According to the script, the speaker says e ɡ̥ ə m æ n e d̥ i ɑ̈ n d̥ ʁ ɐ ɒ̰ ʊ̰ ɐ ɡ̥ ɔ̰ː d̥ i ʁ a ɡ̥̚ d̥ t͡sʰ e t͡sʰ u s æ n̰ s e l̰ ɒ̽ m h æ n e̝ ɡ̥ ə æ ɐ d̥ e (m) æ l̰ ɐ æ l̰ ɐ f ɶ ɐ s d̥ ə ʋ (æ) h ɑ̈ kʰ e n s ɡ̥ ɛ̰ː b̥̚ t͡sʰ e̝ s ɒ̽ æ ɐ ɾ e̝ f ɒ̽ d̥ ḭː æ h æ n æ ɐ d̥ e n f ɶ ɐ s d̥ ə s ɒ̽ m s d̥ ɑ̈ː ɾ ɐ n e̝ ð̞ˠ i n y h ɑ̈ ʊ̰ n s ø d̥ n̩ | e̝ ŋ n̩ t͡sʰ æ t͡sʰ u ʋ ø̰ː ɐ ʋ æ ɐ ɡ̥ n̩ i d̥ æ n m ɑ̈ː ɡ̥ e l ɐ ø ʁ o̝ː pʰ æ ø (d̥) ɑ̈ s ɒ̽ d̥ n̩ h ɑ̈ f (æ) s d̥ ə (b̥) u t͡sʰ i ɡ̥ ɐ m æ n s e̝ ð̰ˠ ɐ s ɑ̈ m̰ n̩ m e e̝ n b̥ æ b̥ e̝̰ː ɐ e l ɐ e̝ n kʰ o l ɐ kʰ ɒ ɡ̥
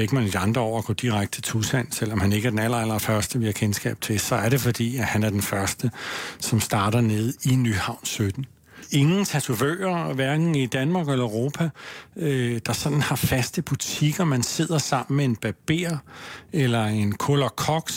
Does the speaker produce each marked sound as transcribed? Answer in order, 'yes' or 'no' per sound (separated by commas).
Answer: no, no, yes, yes, yes